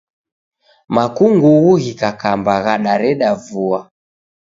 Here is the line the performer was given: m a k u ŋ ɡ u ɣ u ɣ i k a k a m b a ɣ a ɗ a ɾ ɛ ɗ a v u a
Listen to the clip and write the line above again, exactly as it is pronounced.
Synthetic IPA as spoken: m a k u ŋ ɡ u ɣ u ɣ i k a k a m b a ɣ a ɗ a ɾ ɛ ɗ a v u a